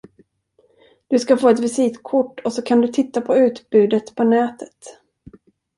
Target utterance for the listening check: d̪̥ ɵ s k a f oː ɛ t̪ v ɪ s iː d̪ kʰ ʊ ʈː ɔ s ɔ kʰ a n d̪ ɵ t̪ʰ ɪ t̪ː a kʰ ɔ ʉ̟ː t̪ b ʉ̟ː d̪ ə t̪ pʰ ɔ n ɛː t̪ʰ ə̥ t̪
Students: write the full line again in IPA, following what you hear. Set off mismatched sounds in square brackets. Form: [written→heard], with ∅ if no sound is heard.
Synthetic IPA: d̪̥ ɵ s k a f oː ɛ t̪ v ɪ s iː [d̪→t̪] kʰ ʊ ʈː ɔ s ɔ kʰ a n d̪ ɵ t̪ʰ ɪ t̪ː a [kʰ→pʰ] ɔ ʉ̟ː t̪ b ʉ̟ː d̪ ə t̪ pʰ ɔ n ɛː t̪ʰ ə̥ t̪